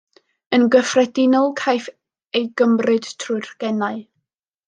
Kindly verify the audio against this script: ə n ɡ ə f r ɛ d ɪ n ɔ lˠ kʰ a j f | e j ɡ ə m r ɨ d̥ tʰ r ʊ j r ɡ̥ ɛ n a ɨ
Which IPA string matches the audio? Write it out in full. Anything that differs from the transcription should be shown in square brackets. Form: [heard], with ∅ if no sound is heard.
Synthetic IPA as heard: ə n ɡ ə f r ɛ d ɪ n ɔ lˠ kʰ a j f | e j ɡ ə m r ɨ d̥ tʰ r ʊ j r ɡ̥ ɛ n a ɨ